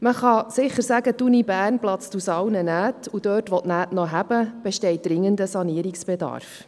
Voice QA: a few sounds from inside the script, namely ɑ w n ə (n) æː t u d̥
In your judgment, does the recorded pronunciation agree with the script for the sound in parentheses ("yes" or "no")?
yes